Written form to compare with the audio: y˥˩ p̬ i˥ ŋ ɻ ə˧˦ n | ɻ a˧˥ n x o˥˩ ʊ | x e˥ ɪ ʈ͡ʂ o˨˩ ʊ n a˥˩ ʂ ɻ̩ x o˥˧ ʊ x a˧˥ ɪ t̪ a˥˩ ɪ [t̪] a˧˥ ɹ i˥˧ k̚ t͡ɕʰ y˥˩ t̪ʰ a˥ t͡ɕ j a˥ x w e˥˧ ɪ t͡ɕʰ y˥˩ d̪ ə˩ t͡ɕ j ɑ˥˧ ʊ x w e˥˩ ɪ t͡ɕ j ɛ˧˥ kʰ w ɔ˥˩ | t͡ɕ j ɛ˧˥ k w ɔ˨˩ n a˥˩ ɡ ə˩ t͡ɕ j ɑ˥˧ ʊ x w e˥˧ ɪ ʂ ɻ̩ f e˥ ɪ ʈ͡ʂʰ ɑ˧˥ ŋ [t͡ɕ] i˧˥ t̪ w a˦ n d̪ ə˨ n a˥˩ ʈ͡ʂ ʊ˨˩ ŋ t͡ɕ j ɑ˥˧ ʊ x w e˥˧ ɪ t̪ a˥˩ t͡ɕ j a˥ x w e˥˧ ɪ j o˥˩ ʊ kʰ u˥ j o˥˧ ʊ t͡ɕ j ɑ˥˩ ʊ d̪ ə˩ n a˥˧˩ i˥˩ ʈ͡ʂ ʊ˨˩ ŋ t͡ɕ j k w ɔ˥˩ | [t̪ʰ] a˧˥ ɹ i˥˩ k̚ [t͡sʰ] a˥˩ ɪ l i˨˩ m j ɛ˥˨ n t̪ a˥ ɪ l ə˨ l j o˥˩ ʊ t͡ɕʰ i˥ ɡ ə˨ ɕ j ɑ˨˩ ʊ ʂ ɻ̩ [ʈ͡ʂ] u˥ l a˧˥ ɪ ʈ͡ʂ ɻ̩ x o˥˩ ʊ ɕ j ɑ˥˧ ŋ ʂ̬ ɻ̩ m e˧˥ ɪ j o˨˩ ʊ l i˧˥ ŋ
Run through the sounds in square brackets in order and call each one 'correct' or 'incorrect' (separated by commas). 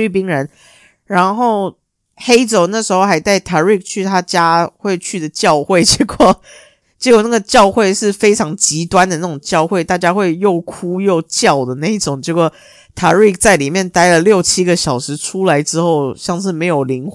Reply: incorrect, correct, correct, incorrect, incorrect